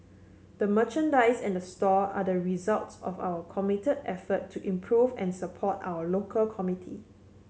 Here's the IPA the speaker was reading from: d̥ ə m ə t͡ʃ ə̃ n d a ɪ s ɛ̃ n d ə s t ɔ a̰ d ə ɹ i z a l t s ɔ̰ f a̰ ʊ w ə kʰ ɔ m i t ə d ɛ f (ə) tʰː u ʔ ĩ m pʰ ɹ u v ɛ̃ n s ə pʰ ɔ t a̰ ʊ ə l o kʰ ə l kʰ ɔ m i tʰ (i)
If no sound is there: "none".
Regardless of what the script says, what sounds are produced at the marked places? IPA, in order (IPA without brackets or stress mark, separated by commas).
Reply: ə, i